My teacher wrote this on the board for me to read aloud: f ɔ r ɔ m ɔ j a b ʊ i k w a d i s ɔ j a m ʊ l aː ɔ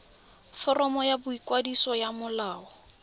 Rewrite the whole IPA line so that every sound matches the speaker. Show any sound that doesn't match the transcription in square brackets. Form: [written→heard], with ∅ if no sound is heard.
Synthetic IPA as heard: f ɔ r ɔ m ɔ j a b ʊ i k w a d i s ɔ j a m ʊ l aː ɔ